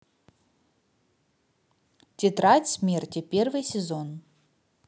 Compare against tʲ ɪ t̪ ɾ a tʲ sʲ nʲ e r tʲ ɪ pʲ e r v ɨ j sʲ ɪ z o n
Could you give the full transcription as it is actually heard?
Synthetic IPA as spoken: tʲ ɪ t̪ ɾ a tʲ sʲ mʲ e r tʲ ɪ pʲ e r v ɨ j sʲ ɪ z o n